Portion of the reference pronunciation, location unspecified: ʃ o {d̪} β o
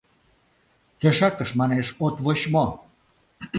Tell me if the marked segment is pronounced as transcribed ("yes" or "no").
no